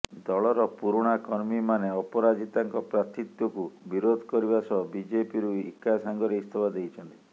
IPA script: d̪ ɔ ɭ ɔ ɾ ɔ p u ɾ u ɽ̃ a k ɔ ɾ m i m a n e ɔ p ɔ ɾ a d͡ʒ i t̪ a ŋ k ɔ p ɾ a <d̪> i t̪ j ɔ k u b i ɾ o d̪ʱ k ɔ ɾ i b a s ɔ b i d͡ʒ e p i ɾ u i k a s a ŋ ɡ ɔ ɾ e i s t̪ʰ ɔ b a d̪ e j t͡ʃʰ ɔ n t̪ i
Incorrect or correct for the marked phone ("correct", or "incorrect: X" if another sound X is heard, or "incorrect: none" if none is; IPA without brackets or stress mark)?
incorrect: t̪